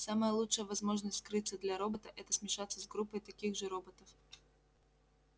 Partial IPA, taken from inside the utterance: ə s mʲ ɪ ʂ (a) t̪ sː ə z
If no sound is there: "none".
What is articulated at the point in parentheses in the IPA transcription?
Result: a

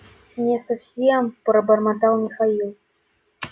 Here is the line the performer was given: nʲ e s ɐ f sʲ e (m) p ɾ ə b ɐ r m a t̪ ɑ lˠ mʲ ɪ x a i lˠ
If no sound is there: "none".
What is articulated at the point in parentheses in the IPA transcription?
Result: m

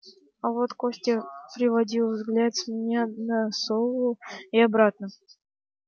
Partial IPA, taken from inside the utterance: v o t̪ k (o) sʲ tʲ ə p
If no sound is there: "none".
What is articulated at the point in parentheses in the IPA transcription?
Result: o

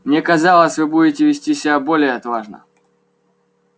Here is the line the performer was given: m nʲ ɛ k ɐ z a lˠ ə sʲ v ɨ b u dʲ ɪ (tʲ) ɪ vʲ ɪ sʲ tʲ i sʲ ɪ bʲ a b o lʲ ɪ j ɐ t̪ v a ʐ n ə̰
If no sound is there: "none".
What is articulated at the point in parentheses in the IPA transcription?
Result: tʲ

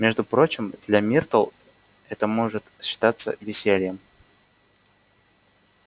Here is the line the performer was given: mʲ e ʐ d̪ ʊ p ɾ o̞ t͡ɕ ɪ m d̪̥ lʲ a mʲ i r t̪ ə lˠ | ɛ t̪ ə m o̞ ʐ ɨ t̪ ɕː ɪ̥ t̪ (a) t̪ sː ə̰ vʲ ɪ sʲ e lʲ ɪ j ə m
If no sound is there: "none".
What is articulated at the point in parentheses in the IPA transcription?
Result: a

